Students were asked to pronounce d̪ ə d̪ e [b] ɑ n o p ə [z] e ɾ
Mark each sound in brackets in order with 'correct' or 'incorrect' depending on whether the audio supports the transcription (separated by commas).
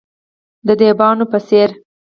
correct, incorrect